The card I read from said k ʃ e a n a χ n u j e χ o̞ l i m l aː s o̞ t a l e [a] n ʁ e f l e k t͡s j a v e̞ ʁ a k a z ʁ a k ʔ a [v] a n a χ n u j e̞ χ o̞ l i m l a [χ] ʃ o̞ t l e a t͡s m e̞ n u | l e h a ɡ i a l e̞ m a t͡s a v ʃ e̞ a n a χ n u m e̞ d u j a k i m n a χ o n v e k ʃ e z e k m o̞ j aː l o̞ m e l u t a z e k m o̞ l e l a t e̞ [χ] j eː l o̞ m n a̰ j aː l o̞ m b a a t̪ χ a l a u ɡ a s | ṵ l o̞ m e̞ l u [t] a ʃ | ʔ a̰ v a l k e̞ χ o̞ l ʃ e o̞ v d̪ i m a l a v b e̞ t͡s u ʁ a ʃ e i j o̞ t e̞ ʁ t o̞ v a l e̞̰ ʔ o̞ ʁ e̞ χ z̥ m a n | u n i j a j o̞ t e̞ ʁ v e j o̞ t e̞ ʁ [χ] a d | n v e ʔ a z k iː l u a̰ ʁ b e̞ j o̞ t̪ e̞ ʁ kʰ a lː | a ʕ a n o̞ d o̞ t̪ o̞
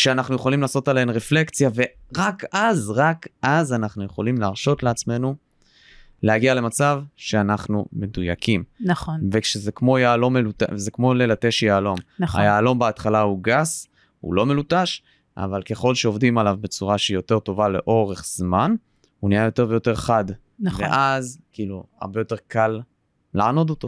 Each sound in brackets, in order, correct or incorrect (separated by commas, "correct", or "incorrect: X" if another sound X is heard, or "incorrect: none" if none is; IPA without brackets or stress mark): incorrect: e, incorrect: z, incorrect: ʁ, incorrect: ʃ, correct, correct